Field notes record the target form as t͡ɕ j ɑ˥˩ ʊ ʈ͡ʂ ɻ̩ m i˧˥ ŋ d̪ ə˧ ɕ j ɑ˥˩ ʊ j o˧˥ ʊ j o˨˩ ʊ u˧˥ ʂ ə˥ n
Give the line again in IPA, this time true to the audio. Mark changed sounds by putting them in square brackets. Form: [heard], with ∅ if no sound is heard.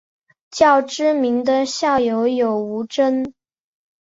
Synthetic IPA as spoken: t͡ɕ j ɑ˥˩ ʊ ʈ͡ʂ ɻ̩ m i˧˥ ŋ d̪ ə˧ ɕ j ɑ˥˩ ʊ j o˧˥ ʊ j o˨˩ ʊ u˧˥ [ʈ͡ʂ] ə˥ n